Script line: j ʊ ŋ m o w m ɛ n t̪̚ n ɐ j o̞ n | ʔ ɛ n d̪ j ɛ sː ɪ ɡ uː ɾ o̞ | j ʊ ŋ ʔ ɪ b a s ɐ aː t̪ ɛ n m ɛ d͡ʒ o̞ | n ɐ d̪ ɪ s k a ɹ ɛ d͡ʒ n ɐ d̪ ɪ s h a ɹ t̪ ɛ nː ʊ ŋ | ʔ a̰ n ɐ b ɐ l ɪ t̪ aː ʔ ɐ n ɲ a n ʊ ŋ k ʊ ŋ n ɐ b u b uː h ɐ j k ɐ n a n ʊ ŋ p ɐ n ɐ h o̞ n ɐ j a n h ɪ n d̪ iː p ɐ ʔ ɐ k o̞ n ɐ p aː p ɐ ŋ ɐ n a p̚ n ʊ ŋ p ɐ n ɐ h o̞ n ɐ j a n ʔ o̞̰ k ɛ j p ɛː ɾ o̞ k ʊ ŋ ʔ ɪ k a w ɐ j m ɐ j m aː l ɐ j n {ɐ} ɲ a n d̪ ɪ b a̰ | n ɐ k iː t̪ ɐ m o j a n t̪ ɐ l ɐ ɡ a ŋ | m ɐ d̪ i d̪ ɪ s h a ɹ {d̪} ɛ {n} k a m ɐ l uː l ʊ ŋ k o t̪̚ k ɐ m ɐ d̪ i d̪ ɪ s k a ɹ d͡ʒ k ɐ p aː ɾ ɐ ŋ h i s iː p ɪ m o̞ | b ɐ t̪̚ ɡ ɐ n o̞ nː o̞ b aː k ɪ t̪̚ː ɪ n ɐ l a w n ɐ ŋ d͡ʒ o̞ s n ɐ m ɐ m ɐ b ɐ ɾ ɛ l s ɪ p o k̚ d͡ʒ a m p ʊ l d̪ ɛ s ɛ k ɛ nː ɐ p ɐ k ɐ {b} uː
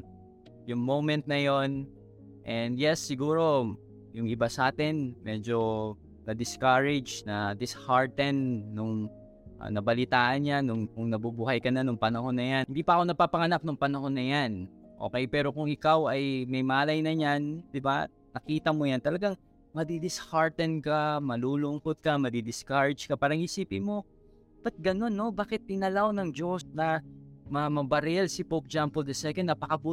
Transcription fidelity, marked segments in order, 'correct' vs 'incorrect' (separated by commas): correct, incorrect, correct, correct